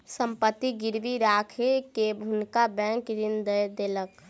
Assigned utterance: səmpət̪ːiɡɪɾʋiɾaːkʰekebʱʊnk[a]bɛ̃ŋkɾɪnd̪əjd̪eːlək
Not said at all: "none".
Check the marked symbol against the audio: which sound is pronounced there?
a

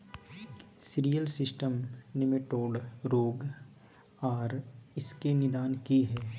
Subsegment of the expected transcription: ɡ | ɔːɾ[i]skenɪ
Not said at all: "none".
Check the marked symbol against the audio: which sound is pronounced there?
ɪ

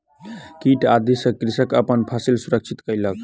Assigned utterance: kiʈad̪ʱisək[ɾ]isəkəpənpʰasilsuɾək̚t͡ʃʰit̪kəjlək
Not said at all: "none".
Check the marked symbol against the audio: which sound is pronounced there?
ɾ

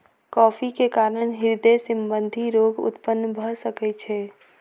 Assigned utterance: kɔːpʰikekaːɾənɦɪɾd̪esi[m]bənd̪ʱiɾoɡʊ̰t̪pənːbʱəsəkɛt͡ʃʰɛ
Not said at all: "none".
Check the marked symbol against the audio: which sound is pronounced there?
m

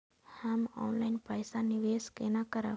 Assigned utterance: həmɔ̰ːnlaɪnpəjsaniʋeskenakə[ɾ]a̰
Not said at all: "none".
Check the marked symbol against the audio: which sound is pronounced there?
ɾ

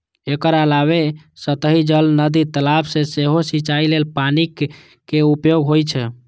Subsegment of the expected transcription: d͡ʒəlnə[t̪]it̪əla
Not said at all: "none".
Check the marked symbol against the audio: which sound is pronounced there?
d̪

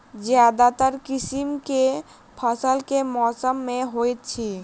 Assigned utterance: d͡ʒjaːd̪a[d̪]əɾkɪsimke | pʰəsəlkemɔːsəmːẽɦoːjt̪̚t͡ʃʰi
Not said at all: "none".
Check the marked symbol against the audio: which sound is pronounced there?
t̪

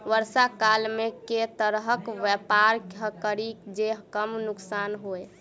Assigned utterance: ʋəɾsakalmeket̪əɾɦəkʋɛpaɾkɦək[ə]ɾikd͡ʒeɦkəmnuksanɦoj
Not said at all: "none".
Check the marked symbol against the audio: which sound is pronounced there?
ə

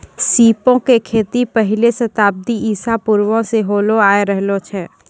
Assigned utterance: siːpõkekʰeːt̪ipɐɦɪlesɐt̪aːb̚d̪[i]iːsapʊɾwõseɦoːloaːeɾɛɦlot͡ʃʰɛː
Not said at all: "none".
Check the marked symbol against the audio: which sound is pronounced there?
i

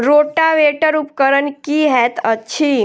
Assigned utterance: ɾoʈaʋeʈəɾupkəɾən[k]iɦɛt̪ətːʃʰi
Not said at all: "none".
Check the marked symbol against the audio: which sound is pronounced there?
k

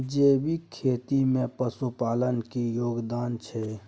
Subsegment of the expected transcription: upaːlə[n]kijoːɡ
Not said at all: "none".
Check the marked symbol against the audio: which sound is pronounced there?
n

